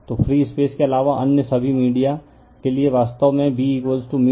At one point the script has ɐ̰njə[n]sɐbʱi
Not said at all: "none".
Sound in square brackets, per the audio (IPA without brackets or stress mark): none